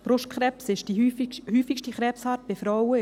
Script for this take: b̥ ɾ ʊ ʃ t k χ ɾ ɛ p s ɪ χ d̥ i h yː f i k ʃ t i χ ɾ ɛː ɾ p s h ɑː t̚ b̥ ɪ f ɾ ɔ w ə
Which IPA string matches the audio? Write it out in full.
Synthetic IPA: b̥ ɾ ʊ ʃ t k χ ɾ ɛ p s ɪ ʃ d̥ i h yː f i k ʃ t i χ ɾ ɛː p s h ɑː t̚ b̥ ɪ f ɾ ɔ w ə